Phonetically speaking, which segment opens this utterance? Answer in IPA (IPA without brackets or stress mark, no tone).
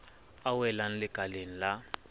a